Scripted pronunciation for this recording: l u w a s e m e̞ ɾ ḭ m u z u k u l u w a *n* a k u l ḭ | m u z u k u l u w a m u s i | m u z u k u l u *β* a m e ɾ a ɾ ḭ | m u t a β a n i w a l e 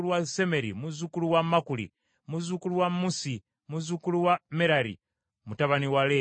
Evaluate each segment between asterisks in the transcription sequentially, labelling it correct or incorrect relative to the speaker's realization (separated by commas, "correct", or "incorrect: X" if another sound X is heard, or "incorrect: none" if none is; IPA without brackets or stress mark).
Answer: incorrect: m, incorrect: w